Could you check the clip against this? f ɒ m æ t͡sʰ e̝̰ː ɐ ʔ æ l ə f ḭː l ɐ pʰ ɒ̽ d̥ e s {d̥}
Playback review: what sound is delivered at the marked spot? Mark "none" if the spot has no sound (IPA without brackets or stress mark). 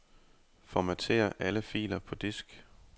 ɡ̥